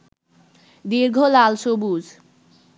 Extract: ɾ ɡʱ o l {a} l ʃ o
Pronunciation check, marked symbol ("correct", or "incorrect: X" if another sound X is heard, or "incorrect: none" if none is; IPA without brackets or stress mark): correct